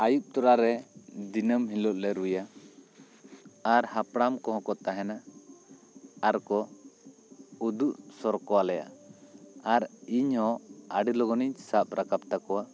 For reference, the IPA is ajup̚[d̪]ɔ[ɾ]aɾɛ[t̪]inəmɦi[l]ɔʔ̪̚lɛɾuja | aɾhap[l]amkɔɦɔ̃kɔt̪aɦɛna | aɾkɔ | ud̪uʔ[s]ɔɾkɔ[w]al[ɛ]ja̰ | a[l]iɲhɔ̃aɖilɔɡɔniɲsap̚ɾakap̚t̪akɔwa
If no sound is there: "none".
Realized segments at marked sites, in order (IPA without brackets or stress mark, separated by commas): t̪, ɾ, d̪, l, ɽ, s, w, ɛ, ɾ